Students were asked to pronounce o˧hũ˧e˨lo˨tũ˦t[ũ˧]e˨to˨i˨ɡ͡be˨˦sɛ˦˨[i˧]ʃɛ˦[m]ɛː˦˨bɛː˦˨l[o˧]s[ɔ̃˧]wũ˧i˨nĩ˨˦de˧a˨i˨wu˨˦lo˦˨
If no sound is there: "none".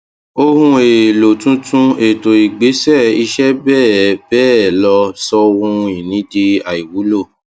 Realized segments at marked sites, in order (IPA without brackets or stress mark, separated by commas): ũ˧, i˧, b, ɔ˧, ɔ˧